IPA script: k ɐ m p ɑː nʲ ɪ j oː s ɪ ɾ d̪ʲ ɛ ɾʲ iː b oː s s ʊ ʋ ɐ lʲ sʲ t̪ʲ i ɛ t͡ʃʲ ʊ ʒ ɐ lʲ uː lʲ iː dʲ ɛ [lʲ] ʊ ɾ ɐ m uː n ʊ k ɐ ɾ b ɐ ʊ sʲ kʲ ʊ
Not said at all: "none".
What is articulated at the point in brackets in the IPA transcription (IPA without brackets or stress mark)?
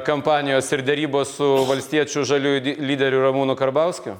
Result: ɾʲ